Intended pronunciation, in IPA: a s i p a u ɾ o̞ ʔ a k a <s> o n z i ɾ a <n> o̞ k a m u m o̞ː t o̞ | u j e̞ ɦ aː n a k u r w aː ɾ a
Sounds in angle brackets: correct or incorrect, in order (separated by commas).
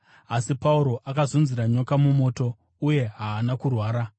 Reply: incorrect, incorrect